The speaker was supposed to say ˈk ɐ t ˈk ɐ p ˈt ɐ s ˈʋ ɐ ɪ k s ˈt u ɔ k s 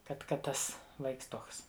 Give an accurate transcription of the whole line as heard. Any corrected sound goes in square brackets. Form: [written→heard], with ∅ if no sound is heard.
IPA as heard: ˈk ɐ t ˈk ɐ [p→t] ˈt ɐ s ˈʋ ɐ ɪ k s ˈt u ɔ k s

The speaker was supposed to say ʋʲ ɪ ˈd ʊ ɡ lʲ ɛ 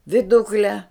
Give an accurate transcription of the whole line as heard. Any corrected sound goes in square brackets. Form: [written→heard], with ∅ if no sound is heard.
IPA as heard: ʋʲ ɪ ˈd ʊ [ɡ→k] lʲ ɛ

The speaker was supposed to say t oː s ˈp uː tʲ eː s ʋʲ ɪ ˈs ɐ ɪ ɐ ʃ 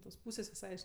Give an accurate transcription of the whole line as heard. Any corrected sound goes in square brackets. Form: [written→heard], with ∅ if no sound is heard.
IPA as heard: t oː s ˈp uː [tʲ→sʲ] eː s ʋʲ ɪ ˈs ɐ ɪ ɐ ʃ

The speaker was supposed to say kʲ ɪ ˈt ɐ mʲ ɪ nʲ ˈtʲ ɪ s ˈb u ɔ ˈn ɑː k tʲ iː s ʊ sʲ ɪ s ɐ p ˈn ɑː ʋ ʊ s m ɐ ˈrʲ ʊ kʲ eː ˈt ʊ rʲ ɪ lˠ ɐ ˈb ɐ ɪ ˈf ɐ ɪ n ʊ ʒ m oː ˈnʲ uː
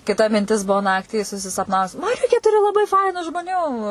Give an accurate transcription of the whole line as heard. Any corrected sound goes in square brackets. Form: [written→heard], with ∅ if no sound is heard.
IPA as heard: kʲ ɪ ˈt ɐ mʲ ɪ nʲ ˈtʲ ɪ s ˈb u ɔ ˈn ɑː k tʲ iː s ʊ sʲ ɪ s ɐ p ˈn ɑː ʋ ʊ s m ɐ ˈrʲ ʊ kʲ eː ˈt ʊ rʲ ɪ lˠ ɐ ˈb ɐ ɪ ˈf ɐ ɪ n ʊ ʒ m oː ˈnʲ uː

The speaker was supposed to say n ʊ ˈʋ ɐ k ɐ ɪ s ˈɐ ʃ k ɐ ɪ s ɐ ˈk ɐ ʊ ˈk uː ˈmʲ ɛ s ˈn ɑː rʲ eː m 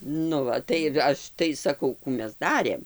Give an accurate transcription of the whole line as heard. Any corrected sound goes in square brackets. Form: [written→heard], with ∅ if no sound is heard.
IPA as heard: n ʊ ˈʋ ɐ [k→t] ɐ ɪ [s→∅] ˈɐ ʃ [k→t] ɐ ɪ s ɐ ˈk ɐ ʊ ˈk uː ˈmʲ ɛ s [ˈn→ˈd] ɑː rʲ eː m

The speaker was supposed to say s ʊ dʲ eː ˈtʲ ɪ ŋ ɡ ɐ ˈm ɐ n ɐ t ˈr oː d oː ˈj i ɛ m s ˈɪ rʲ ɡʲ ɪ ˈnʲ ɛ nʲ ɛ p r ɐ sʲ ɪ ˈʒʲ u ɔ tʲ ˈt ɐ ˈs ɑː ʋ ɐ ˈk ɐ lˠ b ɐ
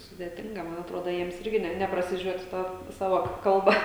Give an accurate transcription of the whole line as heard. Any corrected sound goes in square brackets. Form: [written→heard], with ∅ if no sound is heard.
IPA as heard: s ʊ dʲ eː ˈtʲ ɪ ŋ ɡ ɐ ˈm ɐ n ɐ t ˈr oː d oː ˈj i ɛ m s ˈɪ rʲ ɡʲ ɪ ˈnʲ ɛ nʲ ɛ p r ɐ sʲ ɪ ˈʒʲ u ɔ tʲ ˈt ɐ ˈs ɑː ʋ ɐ ˈk ɐ lˠ b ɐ

